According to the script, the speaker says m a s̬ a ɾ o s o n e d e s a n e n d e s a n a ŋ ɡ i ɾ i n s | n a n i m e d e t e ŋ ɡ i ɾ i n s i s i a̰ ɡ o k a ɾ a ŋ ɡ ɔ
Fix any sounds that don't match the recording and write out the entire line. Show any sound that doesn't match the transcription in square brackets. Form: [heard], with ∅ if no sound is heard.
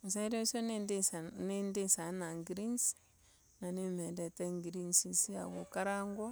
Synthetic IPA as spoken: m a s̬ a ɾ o s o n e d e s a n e n d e s a n a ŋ ɡ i ɾ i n s | n a n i m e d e t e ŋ ɡ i ɾ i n s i s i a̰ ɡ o k a ɾ a ŋ ɡ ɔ